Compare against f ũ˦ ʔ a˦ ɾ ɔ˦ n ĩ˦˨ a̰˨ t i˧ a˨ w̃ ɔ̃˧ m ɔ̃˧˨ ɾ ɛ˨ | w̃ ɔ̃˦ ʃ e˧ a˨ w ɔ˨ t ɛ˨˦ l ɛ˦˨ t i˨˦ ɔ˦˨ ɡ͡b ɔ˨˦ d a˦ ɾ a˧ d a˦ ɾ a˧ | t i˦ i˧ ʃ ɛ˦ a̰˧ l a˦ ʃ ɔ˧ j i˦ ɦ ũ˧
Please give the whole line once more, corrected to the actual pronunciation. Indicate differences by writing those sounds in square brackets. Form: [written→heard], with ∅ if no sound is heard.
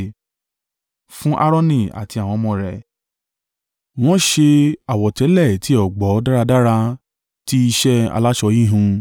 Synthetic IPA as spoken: f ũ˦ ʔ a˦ ɾ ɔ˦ n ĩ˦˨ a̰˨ t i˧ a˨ w̃ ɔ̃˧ m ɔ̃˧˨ ɾ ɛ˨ | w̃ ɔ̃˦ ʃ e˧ a˨ w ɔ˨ t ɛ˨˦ l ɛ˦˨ t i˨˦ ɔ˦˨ ɡ͡b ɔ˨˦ d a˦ ɾ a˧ d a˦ ɾ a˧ | t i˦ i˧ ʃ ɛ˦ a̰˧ l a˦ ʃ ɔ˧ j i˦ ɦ ũ˧